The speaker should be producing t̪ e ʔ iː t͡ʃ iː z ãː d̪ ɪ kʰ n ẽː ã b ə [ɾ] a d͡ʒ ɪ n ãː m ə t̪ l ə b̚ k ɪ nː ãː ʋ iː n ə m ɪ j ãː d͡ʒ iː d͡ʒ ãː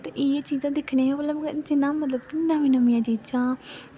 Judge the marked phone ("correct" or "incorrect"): incorrect